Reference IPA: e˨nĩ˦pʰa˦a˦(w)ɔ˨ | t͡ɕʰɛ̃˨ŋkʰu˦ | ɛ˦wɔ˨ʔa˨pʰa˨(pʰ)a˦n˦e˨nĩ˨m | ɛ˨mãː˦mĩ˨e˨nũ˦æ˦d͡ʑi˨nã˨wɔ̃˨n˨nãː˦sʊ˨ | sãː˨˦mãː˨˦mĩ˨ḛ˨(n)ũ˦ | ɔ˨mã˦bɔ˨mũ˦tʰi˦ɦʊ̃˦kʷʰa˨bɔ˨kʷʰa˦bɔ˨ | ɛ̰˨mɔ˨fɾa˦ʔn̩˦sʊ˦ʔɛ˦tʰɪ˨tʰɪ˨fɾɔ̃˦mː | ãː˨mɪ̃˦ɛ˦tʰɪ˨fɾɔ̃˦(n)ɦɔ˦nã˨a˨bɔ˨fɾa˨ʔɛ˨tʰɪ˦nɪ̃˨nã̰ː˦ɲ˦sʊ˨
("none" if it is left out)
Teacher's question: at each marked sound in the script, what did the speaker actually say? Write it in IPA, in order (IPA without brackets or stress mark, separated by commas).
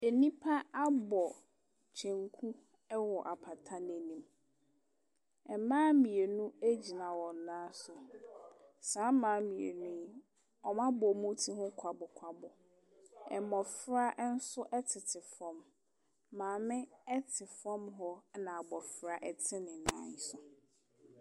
b, tʰ, n, m